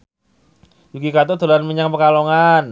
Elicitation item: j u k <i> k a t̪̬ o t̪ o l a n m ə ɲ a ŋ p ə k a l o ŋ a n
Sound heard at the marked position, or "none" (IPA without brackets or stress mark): i